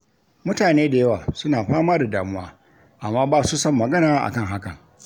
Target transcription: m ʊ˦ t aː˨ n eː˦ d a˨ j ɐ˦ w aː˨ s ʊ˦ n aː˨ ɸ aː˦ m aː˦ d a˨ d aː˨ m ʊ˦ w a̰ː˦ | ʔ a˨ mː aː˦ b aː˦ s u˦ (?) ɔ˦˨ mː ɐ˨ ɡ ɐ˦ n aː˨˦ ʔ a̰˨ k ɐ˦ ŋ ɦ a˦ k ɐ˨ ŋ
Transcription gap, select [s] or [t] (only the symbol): s